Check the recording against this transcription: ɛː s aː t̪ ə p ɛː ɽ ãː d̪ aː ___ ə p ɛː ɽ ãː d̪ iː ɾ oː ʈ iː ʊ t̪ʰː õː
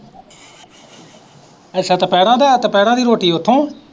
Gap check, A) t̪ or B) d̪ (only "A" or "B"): A